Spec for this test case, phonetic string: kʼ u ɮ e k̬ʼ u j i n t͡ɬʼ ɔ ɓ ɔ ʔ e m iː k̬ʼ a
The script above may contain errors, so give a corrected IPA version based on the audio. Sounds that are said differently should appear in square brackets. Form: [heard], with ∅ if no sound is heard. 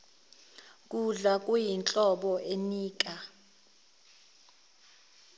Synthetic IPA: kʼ u ɮ [a] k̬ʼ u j i n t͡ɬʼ ɔ ɓ ɔ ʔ e [n] iː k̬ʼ a